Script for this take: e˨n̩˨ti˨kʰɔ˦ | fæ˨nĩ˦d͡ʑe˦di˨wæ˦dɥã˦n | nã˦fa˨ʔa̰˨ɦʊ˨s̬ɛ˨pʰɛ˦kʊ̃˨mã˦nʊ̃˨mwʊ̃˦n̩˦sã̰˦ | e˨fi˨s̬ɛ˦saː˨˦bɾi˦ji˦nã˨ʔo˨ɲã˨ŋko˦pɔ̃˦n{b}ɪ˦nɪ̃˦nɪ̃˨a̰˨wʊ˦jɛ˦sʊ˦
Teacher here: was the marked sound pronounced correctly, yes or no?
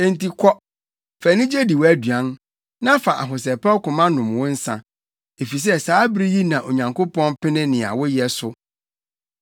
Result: no